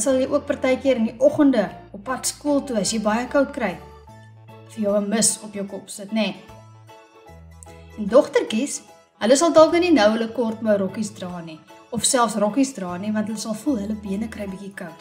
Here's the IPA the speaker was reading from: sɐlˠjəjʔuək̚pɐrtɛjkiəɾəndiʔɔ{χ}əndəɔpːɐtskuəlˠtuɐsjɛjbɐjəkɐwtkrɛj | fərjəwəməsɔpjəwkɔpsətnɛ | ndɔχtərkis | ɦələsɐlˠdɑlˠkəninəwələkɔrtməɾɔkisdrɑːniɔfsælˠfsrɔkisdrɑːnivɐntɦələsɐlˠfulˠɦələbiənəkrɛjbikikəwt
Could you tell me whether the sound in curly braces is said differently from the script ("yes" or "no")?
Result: no